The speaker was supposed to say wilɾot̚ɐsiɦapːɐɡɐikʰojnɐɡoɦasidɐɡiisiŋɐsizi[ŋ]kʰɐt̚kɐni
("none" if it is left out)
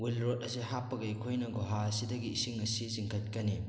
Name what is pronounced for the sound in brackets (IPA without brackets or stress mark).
ŋ